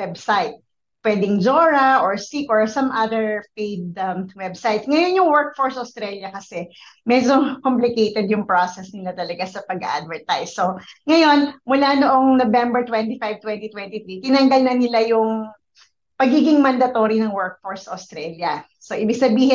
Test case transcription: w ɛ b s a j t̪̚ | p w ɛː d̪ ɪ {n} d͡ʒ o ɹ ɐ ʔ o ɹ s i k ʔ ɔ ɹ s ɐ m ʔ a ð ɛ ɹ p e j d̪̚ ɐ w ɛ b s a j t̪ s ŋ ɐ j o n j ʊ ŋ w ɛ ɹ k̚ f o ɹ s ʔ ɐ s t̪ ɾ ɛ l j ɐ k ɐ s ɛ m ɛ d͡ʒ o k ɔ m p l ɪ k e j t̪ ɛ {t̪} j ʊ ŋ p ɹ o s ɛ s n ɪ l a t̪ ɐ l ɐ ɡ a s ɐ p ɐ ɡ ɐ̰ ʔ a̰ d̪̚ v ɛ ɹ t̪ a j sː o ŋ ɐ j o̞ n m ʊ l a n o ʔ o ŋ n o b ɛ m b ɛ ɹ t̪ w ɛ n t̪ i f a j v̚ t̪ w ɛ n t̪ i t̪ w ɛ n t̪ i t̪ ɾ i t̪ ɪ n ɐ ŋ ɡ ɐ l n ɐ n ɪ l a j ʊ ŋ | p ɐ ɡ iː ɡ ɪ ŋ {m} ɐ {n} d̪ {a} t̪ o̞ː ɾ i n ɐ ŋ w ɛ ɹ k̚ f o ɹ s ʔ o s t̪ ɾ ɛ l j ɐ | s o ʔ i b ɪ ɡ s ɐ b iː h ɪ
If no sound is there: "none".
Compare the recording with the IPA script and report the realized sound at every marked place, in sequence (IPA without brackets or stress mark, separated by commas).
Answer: ŋ, d̪, m, n, ɐ